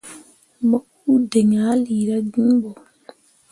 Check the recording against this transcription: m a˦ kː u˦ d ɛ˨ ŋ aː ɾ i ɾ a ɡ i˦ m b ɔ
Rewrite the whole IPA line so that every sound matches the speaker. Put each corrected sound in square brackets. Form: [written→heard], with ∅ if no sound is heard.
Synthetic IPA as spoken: m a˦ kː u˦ d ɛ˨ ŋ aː [ɾ→l] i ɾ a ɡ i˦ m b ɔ